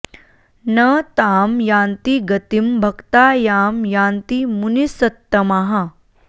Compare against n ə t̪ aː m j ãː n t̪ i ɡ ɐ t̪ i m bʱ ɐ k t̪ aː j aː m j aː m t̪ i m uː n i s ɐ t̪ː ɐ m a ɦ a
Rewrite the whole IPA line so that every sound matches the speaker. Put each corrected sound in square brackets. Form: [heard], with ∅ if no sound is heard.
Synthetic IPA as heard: n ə t̪ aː m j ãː n t̪ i ɡ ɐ t̪ i m bʱ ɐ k t̪ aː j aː m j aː [n] t̪ i m [u] n i s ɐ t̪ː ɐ m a ɦ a